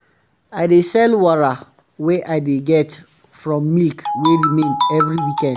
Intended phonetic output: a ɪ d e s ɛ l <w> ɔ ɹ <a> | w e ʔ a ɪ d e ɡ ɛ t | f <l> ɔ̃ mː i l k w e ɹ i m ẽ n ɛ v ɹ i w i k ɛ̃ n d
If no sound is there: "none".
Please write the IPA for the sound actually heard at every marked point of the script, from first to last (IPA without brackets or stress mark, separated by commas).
w, a, ɹ